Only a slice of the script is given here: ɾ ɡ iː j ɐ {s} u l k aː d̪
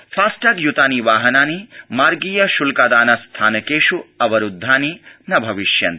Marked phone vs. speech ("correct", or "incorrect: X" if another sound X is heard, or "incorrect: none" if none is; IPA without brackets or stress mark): incorrect: ʃ